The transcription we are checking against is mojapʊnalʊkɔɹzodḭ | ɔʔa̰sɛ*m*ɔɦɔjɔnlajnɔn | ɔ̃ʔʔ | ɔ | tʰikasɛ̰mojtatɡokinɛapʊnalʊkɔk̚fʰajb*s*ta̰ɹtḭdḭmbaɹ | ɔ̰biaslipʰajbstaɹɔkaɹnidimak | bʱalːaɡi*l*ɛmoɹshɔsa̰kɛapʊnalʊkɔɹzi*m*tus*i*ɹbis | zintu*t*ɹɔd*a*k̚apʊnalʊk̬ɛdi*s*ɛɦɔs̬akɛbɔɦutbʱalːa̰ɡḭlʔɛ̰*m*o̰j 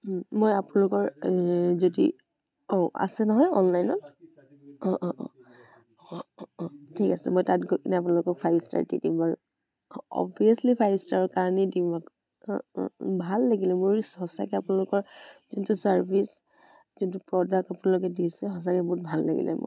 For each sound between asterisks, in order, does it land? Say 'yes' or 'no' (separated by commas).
no, yes, yes, no, no, no, yes, yes, yes